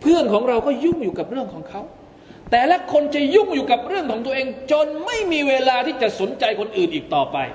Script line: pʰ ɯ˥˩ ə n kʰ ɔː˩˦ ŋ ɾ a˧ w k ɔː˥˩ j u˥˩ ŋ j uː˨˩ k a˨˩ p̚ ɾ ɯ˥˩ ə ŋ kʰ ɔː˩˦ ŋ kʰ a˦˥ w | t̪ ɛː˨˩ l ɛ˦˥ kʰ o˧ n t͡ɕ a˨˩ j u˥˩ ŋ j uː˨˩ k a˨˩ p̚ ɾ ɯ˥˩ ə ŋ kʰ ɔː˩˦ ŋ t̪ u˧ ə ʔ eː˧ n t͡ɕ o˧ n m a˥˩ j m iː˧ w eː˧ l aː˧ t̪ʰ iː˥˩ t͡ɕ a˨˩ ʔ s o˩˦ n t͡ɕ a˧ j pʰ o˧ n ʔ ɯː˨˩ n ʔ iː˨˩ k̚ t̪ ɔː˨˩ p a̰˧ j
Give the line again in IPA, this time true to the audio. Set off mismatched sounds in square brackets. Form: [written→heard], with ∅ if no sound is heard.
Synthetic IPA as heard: pʰ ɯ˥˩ ə n kʰ ɔː˩˦ ŋ ɾ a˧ w k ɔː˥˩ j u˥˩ ŋ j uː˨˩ k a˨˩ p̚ ɾ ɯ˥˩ ə ŋ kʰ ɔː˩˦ ŋ kʰ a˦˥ w | t̪ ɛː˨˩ l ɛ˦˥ kʰ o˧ n t͡ɕ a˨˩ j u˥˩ ŋ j uː˨˩ k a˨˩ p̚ ɾ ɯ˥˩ ə ŋ kʰ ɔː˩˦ ŋ t̪ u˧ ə ʔ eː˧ [n→ŋ] t͡ɕ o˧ n m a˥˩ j m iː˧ w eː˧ l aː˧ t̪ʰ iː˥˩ t͡ɕ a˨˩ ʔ s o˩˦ n t͡ɕ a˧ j [pʰ→kʰ] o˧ n ʔ ɯː˨˩ n ʔ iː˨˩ k̚ t̪ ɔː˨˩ p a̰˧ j